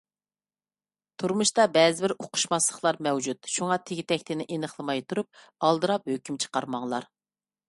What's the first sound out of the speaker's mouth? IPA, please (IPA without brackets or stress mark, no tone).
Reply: t̪ʰ